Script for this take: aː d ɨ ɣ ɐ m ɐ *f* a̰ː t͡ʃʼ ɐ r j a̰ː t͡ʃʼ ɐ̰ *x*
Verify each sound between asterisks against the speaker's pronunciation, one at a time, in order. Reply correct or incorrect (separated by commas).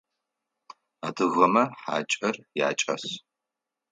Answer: incorrect, incorrect